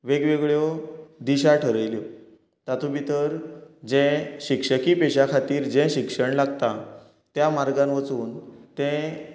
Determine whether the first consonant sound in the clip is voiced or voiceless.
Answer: voiced